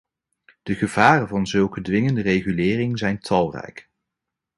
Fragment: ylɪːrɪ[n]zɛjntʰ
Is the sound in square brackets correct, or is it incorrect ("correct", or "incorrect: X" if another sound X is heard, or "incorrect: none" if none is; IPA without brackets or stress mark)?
incorrect: ŋ